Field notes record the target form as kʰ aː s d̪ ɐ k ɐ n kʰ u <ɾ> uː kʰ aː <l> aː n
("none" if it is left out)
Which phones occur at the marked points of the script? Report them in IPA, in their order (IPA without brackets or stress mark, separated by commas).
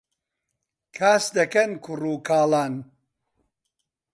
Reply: r, l